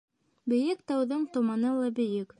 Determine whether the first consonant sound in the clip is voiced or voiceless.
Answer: voiced